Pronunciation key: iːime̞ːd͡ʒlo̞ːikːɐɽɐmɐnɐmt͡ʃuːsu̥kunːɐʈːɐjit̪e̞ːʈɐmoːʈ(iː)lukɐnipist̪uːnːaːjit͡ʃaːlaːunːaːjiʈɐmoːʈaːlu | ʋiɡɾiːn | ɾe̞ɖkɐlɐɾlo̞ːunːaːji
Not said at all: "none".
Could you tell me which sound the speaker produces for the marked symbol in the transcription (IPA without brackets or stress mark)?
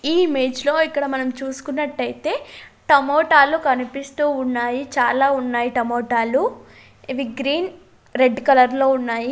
aː